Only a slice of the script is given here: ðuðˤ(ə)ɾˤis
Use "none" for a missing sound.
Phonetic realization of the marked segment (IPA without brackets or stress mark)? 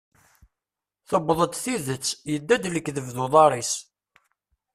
ɑ